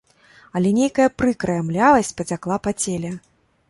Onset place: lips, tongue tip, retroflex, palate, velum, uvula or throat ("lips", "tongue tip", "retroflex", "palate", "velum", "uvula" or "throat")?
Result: tongue tip